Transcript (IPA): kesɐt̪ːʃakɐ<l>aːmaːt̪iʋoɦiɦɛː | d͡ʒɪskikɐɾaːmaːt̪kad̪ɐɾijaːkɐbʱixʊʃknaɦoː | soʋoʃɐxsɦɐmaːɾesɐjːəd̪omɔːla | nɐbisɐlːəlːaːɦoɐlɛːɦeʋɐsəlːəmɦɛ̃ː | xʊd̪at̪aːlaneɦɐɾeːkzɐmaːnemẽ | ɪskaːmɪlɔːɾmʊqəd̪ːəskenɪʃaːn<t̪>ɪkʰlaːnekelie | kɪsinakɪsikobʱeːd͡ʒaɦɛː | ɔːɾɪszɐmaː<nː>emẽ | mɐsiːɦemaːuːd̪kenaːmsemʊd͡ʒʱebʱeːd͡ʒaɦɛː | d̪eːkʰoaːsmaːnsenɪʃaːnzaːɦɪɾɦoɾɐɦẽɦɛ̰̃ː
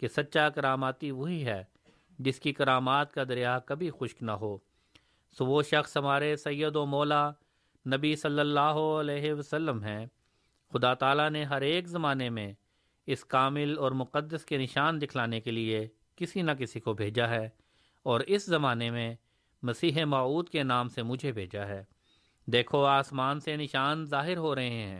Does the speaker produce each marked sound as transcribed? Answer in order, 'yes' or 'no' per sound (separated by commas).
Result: no, no, no